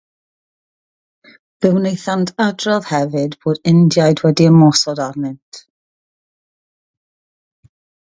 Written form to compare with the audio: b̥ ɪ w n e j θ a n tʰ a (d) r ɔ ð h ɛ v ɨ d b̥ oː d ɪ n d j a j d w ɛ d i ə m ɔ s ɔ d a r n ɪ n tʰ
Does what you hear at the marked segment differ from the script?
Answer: no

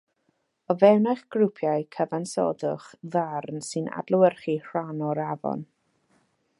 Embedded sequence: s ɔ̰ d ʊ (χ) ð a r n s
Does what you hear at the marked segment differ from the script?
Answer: no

